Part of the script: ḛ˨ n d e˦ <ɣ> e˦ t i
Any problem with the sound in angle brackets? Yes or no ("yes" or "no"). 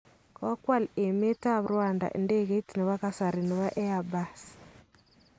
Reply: no